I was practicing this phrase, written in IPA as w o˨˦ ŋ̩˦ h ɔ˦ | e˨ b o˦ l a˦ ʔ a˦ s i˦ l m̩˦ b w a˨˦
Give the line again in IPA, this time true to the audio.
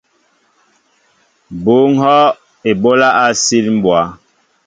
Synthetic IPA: b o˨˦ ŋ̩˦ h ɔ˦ | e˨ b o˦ l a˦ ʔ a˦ s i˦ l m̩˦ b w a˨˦